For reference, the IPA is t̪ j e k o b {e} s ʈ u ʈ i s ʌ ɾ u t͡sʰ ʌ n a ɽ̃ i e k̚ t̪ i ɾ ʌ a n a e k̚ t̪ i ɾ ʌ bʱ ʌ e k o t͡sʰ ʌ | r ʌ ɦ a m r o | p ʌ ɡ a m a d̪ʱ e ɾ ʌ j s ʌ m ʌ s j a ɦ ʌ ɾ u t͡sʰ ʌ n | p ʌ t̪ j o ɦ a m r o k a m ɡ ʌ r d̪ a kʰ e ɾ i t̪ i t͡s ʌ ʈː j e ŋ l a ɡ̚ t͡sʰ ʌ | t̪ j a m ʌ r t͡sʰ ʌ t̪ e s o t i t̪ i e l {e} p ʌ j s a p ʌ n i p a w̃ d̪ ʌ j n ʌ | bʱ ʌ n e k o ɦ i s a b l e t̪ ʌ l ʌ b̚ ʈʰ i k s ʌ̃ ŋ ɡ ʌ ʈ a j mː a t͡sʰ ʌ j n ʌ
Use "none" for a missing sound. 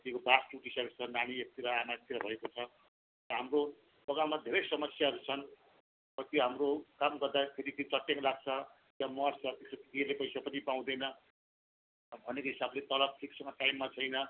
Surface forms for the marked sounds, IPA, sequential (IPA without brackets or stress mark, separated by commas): a, e